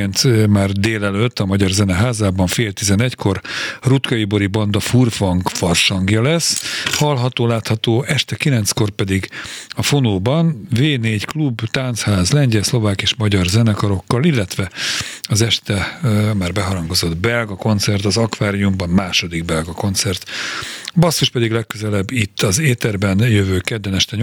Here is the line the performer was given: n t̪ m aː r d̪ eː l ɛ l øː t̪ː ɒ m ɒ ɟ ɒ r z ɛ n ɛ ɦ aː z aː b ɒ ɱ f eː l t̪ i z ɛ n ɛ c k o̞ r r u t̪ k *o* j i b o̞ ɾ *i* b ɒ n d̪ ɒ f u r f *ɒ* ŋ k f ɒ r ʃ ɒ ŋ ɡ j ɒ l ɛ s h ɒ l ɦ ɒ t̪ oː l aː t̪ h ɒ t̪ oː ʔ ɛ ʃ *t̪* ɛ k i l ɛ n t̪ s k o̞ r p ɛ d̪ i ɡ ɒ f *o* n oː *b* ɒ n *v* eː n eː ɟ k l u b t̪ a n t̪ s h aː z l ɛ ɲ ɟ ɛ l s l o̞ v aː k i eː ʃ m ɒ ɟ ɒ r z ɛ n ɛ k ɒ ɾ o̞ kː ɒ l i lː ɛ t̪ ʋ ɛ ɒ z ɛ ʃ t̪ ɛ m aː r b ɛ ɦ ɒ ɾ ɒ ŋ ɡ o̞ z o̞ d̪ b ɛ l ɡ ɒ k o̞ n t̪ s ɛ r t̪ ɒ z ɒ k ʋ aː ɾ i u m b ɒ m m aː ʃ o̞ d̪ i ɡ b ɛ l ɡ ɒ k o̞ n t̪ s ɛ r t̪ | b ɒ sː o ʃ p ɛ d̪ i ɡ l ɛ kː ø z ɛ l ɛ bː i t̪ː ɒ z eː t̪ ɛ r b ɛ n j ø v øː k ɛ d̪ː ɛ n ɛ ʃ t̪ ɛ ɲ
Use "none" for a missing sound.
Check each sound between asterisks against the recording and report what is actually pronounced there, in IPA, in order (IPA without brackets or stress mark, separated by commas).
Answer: ɒ, i, ɒ, t̪, o, b, v